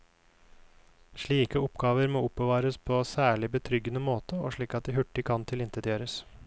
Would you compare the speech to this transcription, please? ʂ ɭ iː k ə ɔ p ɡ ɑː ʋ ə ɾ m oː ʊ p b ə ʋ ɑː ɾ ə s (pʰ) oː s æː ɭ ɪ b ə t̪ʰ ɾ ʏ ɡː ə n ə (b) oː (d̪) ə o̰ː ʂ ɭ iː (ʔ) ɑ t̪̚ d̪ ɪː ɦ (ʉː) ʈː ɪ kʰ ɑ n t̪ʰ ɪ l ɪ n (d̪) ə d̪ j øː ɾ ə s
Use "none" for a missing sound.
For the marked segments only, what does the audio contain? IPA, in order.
pʰ, m, t̪, k, ʉ, t̪

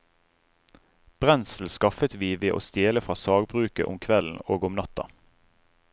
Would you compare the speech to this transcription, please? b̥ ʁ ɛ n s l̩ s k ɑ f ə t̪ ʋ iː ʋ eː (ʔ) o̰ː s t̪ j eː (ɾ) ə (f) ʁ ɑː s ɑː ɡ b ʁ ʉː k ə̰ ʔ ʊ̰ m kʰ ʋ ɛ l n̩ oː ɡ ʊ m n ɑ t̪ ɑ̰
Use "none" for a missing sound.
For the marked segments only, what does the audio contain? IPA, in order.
ʔ, l, f

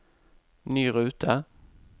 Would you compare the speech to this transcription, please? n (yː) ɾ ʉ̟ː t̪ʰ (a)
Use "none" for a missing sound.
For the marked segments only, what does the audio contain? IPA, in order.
yː, a

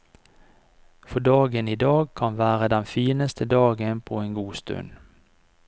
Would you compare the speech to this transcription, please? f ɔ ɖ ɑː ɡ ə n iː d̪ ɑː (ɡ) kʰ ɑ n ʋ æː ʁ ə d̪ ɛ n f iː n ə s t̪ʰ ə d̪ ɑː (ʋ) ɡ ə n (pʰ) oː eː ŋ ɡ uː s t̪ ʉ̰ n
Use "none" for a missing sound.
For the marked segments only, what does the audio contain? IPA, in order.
ɡ, none, pʰ

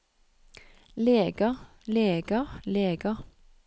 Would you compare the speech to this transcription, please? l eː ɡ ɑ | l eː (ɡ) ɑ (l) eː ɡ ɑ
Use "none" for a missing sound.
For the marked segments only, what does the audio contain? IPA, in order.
ɡ, l

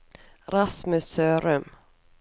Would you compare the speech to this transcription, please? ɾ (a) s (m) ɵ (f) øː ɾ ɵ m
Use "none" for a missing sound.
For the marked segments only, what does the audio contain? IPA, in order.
a, m, s

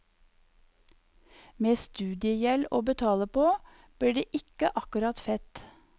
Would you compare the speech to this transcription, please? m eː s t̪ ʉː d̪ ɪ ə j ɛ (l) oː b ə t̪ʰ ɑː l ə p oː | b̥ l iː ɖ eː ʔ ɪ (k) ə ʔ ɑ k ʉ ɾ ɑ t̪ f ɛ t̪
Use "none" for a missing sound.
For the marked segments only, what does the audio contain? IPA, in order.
l, k

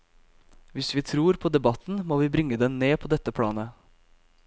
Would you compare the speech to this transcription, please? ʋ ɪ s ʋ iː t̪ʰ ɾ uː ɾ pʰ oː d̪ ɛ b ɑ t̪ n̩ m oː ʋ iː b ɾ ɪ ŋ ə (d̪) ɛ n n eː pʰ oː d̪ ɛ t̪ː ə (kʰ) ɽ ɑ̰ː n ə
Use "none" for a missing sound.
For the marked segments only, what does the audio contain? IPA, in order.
d̪, pʰ

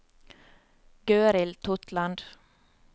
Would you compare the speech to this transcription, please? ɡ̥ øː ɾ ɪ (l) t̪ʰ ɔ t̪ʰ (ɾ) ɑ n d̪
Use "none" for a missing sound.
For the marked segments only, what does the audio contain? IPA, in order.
l, l

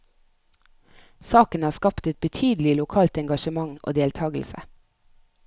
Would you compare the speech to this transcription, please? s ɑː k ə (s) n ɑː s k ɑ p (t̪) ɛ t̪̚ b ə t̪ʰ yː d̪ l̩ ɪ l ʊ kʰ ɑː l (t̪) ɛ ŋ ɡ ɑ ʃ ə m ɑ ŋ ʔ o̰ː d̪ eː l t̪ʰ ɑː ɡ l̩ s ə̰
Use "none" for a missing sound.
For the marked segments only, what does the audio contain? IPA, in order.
none, t̪, t̪

